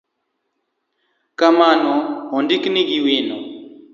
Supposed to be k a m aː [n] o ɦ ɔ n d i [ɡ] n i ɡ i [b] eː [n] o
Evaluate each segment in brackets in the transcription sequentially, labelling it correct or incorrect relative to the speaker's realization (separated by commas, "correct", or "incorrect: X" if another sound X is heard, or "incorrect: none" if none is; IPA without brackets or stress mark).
correct, incorrect: k, incorrect: w, correct